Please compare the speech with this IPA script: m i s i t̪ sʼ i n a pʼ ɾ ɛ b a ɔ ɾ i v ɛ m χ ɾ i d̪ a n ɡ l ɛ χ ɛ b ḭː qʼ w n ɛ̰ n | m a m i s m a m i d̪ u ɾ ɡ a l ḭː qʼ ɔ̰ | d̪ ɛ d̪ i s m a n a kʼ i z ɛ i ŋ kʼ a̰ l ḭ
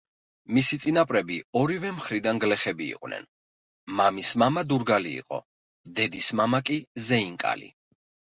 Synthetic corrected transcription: m i s i t̪ sʼ i n a pʼ ɾ ɛ b i ɔ ɾ i v ɛ m χ ɾ i d̪ a n ɡ l ɛ χ ɛ b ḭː qʼ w n ɛ̰ n | m a m i s m a m a d̪ u ɾ ɡ a l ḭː qʼ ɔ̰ | d̪ ɛ d̪ i s m a m a kʼ i z ɛ i ŋ kʼ a̰ l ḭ